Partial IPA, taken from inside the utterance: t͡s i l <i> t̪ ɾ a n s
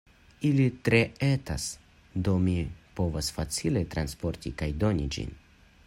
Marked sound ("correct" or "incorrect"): incorrect